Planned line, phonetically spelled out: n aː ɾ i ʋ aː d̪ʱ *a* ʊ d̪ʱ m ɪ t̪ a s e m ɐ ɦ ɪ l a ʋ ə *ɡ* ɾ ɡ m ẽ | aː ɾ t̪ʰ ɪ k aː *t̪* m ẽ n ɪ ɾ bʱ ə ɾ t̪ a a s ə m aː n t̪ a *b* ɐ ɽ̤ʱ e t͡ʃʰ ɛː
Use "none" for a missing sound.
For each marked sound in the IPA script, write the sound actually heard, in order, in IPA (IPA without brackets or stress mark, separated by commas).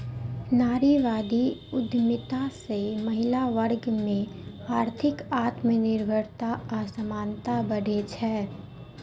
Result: i, none, t̪, b